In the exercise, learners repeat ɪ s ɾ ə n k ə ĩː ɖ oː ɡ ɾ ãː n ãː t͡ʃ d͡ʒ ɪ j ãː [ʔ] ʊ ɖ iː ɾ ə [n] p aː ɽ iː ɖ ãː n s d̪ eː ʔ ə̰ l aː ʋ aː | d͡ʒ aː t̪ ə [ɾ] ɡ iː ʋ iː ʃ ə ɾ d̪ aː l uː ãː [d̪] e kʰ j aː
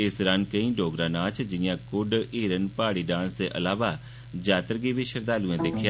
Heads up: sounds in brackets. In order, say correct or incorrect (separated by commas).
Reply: incorrect, correct, correct, correct